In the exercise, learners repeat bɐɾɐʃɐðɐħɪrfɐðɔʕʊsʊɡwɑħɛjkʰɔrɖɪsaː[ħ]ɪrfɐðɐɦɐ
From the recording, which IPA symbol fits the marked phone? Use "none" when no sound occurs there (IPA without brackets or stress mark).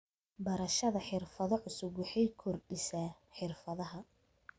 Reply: ħ